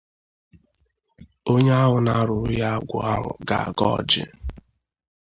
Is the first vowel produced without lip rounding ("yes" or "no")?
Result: no